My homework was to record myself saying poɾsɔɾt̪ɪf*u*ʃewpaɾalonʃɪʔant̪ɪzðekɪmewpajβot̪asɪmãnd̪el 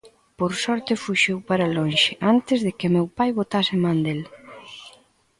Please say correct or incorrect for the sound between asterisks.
correct